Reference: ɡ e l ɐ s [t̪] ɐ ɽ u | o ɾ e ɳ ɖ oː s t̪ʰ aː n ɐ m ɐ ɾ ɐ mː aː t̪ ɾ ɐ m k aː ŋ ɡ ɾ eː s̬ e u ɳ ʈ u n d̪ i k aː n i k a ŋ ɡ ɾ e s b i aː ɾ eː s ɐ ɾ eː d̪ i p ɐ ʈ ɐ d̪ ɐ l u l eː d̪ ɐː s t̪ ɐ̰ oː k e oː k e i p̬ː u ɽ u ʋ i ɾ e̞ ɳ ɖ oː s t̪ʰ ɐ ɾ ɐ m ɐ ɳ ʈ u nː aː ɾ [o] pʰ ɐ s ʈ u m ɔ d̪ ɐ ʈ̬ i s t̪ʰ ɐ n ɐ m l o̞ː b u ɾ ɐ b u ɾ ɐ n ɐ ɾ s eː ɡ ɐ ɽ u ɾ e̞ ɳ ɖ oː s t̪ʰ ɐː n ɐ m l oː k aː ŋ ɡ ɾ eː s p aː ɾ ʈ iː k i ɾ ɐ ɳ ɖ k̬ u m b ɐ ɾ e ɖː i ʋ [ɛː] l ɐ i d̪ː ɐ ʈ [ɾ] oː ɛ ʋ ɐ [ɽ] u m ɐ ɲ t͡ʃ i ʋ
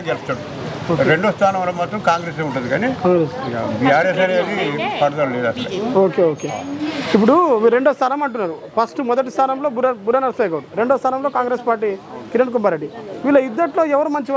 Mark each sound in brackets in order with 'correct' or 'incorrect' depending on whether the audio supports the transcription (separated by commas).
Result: correct, incorrect, incorrect, incorrect, incorrect